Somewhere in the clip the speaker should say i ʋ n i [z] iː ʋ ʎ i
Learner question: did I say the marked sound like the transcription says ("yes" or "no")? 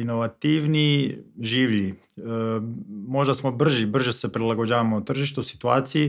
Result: no